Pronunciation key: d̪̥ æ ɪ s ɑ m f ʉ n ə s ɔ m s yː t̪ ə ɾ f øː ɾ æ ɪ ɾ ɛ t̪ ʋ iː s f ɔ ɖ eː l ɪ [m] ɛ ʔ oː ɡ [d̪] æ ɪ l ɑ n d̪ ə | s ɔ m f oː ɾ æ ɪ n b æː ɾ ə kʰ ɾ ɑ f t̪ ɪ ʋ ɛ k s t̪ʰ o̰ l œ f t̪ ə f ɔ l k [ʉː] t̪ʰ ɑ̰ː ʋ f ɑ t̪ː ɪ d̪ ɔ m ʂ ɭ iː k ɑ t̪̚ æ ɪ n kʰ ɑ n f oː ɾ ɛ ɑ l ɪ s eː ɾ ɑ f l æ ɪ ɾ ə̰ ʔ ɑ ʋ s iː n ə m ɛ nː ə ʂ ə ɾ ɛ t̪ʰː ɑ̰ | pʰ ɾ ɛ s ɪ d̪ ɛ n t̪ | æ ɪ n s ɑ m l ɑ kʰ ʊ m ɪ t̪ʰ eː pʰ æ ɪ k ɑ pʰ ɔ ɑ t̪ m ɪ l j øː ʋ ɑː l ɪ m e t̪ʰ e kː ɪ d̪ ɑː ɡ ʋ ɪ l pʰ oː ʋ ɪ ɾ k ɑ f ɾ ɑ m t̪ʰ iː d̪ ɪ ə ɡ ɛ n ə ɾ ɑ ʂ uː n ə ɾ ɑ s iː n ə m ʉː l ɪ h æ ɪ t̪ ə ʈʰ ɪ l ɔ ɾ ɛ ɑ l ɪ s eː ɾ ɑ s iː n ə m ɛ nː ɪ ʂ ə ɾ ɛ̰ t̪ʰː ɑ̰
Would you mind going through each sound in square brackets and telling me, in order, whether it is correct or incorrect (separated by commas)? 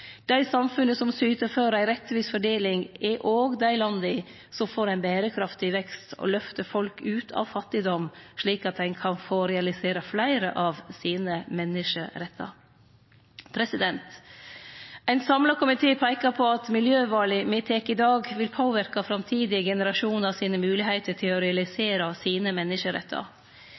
incorrect, correct, correct